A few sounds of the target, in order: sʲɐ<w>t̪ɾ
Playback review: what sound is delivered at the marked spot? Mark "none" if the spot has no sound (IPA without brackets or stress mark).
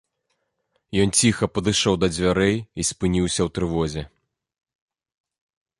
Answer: w